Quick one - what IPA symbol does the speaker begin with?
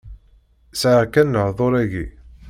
s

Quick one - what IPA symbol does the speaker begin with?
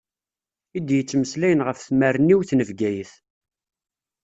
i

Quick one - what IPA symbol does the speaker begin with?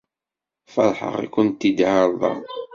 f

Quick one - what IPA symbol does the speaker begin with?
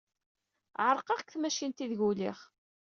ʕ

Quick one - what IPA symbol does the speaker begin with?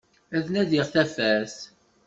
æ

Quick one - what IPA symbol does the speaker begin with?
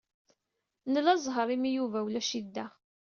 n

